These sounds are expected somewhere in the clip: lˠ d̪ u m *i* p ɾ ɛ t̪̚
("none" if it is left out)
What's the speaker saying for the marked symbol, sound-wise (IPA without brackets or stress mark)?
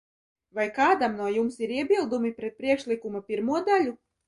i